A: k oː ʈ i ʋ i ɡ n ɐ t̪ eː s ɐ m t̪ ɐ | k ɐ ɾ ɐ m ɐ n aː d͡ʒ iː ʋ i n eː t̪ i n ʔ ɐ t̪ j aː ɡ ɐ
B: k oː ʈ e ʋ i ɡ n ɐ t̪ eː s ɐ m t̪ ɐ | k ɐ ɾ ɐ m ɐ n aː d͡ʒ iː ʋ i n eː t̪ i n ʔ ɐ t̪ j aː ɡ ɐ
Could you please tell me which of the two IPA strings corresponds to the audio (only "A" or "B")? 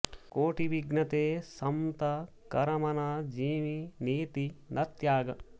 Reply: A